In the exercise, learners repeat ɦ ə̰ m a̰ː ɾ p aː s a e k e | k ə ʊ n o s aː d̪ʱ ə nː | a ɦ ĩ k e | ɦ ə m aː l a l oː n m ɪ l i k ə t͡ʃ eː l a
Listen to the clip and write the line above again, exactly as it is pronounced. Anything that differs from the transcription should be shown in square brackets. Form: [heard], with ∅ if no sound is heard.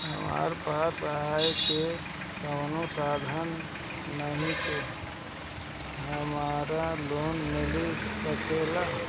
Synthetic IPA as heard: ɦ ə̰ m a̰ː ɾ p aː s a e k e | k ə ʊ n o s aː d̪ʱ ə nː | [ə] ɦ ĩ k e | ɦ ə m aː [ɾ] a l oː n m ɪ l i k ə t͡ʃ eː l a

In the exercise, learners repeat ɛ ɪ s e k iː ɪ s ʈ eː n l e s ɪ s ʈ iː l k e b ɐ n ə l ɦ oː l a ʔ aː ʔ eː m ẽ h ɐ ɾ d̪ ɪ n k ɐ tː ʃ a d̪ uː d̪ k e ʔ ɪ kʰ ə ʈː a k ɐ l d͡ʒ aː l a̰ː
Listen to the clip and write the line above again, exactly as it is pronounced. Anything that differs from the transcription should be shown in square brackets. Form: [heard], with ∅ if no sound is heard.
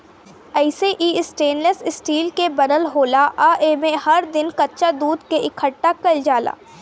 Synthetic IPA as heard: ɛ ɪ s e [ʔ] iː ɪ s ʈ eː n l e s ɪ s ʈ iː l k e b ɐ n ə l ɦ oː l a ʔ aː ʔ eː m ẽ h ɐ ɾ d̪ ɪ n k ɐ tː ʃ a d̪ uː d̪ k e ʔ ɪ kʰ ə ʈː a k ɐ l d͡ʒ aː l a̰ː

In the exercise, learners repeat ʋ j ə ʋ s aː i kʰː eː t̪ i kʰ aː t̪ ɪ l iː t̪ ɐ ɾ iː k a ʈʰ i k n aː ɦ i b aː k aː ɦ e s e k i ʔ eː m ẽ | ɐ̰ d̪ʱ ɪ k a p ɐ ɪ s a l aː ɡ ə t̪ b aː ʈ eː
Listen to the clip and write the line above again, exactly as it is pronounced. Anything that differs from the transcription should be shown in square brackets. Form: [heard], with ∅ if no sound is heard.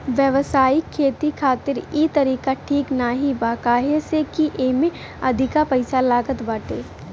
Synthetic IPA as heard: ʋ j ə ʋ s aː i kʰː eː t̪ i kʰ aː t̪ ɪ [ɾ] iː t̪ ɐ ɾ iː k a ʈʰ [iː] k n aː ɦ i b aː k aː ɦ e s e k i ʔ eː m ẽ | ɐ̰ d̪ʱ ɪ k a p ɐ ɪ s a l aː ɡ ə t̪ b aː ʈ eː

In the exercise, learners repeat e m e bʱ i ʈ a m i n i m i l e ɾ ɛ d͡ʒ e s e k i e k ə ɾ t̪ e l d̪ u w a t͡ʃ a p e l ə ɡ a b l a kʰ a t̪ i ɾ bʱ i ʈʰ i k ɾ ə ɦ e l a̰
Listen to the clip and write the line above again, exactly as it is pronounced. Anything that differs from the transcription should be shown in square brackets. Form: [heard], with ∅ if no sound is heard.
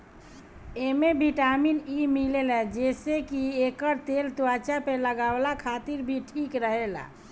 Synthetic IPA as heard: e m e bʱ i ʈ a m i n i m i l e [l] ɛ d͡ʒ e s e k i e k ə ɾ t̪ e l [t̪] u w a t͡ʃ a p e l ə ɡ a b l a kʰ a t̪ i ɾ bʱ i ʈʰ i k ɾ ə ɦ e l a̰

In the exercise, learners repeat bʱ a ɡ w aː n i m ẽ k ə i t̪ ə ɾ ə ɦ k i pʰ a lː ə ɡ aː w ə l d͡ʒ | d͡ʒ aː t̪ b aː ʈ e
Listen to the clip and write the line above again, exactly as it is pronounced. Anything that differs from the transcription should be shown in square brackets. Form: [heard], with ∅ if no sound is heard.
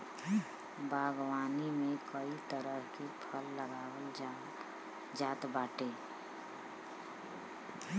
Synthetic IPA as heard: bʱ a ɡ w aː n i m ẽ k ə i t̪ ə ɾ ə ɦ k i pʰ [ə] lː ə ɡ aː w ə l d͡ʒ | d͡ʒ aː t̪ b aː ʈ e

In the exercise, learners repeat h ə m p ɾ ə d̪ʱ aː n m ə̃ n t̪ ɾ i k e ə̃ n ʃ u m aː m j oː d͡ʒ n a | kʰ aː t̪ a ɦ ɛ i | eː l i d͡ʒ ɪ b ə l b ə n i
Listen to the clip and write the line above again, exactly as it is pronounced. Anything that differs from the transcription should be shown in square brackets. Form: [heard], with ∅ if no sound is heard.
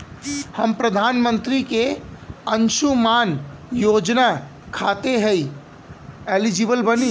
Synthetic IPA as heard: h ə m p ɾ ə d̪ʱ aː n m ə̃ n t̪ ɾ i k e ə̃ n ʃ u m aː [n] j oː d͡ʒ n a | kʰ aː t̪ [e] ɦ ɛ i | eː l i d͡ʒ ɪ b ə l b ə n i

